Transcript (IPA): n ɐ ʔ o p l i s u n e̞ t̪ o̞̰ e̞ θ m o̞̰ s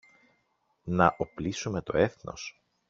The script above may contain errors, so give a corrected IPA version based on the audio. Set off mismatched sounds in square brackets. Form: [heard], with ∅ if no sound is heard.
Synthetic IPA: n ɐ ʔ o p l i s u [m] e̞ t̪ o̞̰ e̞ θ [n] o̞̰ s